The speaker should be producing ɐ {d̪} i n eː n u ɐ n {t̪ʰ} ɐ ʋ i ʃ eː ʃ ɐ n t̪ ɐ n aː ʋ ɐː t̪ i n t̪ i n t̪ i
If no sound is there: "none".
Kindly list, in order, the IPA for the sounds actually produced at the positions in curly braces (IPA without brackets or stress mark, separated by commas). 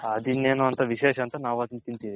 d̪, t̪